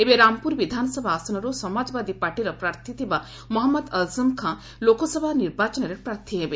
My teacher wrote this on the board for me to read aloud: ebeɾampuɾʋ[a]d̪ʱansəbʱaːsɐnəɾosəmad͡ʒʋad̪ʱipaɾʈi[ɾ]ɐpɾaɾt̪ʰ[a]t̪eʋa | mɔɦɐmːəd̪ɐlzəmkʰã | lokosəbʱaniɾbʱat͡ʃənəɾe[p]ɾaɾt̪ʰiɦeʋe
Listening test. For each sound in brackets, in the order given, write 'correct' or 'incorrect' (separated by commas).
incorrect, correct, incorrect, correct